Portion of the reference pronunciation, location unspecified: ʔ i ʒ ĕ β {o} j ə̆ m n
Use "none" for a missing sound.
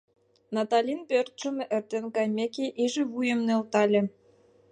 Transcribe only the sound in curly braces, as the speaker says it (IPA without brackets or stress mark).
u